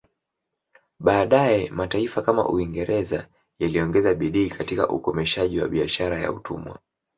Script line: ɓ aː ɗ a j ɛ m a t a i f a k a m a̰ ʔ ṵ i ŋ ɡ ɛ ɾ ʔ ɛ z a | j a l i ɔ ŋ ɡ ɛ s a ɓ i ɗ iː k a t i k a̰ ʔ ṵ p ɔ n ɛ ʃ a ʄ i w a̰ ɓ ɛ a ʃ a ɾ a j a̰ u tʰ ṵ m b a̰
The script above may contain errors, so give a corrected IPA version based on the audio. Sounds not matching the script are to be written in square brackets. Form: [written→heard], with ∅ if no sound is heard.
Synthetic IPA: ɓ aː ɗ a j ɛ m a t a i f a k a m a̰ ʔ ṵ i ŋ ɡ ɛ ɾ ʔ ɛ z a | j a l i ɔ ŋ ɡ ɛ [s→z] a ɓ i ɗ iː k a t i k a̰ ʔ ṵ [p→k] ɔ [n→m] ɛ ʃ a ʄ i w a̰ ɓ [ɛ→i] a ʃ a ɾ a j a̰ u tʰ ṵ m [b→w] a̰

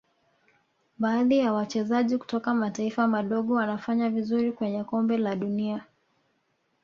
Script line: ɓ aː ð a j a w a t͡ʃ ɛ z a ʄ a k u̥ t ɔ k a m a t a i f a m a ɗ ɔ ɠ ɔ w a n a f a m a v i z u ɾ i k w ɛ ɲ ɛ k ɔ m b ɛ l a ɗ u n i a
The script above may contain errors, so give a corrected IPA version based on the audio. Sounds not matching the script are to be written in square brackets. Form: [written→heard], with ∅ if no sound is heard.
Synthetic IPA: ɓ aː ð [a→i] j a w a t͡ʃ ɛ z a ʄ [a→i] k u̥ t ɔ k a m a t a i f a m a ɗ ɔ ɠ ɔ w a n a f a [m→ɲ] a v i z u ɾ i k w ɛ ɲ ɛ k ɔ m b ɛ l a ɗ u n i a

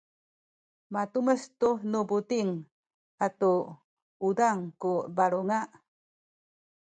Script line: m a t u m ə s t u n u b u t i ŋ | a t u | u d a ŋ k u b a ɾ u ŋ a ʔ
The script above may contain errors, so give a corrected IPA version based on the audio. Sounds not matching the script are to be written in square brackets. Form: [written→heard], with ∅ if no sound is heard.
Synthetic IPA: m a t u m ə s t u n u b u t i ŋ | a t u | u d a ŋ k u b a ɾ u ŋ a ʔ

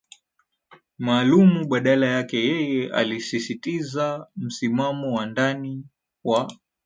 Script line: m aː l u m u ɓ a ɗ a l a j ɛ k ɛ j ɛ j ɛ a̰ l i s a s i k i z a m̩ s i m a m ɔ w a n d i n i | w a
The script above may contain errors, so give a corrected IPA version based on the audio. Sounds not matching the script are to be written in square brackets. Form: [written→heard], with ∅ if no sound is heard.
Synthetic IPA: m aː l u m u ɓ a ɗ a l a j [ɛ→a] k ɛ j ɛ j ɛ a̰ l i s [a→i] s i [k→t] i z a m̩ s i m a m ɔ w a n d [i→a] n i | w a

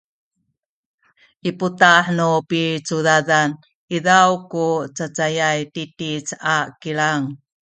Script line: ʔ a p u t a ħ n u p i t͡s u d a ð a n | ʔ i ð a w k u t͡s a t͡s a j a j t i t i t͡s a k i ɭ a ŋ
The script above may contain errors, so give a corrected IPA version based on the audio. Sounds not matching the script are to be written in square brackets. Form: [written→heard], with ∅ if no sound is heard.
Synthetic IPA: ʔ [a→i] p u t a ħ n u p i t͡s u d a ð a n | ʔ i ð a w k u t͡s a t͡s a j a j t i t i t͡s a k i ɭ a ŋ

